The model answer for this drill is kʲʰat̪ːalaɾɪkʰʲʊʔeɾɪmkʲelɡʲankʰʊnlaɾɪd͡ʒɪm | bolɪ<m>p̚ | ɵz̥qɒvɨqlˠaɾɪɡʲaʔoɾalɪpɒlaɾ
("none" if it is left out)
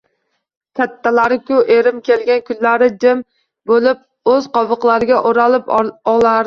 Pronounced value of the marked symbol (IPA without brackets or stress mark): none